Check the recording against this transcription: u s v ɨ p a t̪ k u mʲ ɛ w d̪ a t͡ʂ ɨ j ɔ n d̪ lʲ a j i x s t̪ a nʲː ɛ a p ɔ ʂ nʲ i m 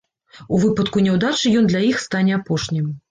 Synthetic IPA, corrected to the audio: u v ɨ p ɐ t̪ k u nʲ ɛ w d̪ a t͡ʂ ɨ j ɔ n d̪ lʲ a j i x s t̪ a nʲ ɛ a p ɔ ʂ nʲ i m